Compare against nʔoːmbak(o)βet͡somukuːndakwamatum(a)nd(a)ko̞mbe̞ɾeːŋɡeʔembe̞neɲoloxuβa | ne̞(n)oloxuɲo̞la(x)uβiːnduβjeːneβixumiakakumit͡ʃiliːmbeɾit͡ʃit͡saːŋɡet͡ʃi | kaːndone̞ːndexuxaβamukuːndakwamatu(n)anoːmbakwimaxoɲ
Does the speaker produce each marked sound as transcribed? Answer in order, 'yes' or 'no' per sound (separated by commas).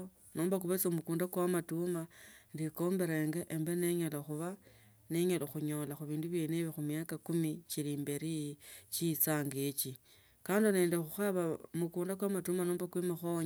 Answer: no, yes, no, no, yes, no